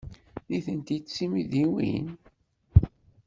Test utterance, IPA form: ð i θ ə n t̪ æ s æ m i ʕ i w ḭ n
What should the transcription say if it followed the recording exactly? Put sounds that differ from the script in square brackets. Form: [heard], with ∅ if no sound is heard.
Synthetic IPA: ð i θ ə n t̪ [i] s [i] m i [ð] i w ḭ n